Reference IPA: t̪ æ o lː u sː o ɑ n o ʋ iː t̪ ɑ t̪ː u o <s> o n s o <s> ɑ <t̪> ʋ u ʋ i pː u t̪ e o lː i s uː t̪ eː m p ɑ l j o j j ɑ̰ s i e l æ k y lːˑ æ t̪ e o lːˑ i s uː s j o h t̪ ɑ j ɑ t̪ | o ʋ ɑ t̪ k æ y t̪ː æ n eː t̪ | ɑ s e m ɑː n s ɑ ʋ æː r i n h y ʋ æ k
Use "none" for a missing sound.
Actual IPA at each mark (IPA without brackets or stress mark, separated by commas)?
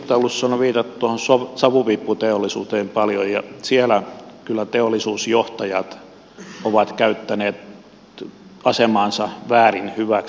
h, s, none